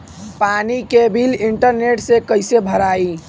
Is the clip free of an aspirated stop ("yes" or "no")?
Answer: yes